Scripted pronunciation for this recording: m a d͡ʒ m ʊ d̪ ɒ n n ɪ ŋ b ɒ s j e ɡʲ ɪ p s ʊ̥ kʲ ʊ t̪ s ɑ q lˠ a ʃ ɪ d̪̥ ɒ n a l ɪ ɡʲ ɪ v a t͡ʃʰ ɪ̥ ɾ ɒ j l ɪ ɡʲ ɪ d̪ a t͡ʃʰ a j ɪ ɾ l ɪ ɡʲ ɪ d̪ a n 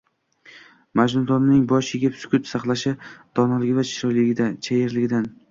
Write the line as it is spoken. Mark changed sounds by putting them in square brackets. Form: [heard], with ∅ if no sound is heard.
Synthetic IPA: m a d͡ʒ [n] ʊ d̪ ɒ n n ɪ ŋ b ɒ [ʃ] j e ɡʲ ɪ p s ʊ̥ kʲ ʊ t̪ s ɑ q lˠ a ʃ ɪ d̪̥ ɒ n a l ɪ ɡʲ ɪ v a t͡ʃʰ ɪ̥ ɾ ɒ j l ɪ ɡʲ ɪ d̪ a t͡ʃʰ a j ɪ ɾ l ɪ ɡʲ ɪ d̪ a n